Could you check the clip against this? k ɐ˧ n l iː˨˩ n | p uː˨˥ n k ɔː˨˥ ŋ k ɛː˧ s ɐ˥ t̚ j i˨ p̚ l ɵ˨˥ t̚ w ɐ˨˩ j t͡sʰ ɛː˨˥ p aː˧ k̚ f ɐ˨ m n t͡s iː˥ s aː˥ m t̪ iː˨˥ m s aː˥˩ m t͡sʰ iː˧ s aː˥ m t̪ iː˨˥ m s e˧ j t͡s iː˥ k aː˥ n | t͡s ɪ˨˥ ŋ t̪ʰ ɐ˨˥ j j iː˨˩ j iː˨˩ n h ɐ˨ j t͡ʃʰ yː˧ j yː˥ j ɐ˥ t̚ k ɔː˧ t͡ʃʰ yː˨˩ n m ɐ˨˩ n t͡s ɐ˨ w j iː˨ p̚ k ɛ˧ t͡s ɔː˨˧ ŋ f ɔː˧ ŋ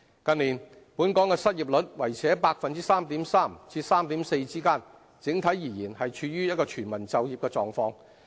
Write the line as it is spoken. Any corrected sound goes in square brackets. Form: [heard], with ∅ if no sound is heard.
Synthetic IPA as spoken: k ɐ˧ n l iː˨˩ n | p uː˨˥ n k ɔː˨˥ ŋ k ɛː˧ s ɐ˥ t̚ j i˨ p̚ l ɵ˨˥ t̚ w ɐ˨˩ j t͡sʰ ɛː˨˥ p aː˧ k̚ f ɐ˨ [∅] n t͡s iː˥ s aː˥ m t̪ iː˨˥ m s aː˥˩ m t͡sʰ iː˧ s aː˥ m t̪ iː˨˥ m s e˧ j t͡s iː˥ k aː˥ n | t͡s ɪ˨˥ ŋ t̪ʰ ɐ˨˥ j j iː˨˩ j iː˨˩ n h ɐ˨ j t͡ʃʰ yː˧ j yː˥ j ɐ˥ t̚ k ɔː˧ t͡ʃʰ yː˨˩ n m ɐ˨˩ n t͡s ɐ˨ w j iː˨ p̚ k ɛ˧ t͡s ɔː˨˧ ŋ f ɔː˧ ŋ